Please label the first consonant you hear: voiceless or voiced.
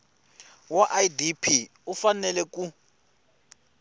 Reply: voiced